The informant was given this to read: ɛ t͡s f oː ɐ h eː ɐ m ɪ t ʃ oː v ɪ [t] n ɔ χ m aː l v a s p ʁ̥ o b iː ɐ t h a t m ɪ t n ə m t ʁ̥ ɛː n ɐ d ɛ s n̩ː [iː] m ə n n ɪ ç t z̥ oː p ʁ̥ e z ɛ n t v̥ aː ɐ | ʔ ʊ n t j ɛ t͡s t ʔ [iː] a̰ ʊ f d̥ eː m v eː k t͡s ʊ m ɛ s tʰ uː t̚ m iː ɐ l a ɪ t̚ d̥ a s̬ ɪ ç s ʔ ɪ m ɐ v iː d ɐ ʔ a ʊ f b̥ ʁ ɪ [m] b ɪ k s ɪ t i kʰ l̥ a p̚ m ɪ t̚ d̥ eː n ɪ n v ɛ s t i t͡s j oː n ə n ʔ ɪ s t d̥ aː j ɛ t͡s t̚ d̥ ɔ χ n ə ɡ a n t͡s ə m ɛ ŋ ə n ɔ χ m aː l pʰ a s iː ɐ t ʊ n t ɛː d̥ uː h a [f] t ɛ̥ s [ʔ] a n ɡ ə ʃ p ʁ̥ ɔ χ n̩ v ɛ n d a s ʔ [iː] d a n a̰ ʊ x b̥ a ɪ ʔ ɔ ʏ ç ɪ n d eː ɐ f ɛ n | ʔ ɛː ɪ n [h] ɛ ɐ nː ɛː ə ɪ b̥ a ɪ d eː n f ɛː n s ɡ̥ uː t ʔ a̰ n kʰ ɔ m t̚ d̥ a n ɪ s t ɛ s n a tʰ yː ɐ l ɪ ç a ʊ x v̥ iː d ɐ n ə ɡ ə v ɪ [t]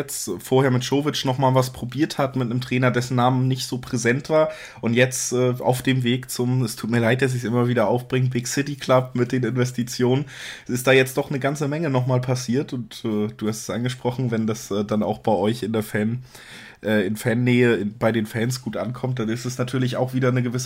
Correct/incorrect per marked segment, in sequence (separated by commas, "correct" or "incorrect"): incorrect, incorrect, incorrect, incorrect, incorrect, correct, incorrect, incorrect, incorrect